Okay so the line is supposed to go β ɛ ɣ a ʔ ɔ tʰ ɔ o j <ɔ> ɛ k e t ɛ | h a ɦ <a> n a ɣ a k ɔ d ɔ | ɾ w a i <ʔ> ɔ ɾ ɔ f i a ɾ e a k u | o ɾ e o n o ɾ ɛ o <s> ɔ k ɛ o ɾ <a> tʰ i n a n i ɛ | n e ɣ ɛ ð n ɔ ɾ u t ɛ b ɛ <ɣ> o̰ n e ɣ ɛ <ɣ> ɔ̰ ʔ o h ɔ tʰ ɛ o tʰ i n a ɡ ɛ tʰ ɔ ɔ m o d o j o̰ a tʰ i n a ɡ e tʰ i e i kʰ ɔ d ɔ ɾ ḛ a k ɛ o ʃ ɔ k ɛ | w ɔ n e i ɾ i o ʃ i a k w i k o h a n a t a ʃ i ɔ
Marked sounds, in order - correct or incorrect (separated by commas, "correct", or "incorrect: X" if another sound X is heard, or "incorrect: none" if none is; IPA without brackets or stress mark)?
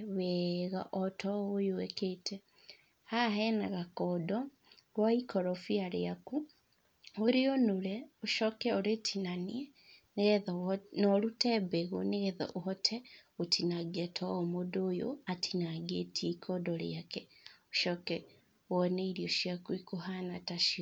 incorrect: o, incorrect: ɛ, incorrect: k, incorrect: ʃ, incorrect: e, correct, incorrect: ð